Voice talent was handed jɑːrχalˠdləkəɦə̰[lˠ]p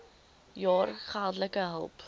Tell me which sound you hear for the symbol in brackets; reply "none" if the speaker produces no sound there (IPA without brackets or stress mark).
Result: lˠ